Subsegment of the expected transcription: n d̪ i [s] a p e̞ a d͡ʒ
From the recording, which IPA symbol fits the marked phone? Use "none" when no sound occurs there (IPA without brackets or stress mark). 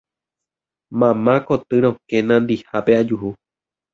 h